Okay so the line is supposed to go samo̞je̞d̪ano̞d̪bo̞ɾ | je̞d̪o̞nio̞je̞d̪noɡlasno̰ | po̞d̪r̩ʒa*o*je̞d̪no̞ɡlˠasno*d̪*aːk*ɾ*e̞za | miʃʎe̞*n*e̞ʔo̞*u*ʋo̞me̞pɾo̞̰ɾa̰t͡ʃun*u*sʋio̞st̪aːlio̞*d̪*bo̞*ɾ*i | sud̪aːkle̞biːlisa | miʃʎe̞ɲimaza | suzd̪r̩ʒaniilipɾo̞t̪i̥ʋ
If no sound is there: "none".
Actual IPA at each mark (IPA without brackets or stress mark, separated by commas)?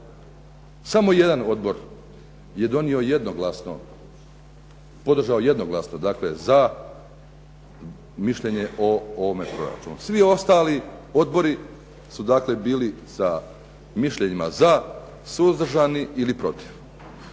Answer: o, d̪, l, ɲ, o, u, d̪, ɾ